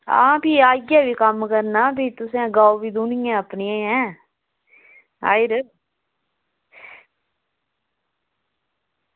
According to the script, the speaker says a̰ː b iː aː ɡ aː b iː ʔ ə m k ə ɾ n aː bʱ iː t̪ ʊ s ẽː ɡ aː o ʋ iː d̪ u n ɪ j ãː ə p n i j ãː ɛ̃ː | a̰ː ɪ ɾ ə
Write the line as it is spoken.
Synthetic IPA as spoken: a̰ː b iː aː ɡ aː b iː k ə m k ə ɾ n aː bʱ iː t̪ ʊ s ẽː ɡ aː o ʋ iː d̪ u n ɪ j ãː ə p n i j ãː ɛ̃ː | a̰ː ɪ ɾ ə